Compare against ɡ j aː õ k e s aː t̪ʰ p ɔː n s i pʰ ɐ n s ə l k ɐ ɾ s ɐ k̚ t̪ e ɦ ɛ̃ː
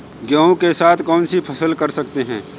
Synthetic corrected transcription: ɡ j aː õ k e s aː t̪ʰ k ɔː n s i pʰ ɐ s ə l k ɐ ɾ s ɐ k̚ t̪ e ɦ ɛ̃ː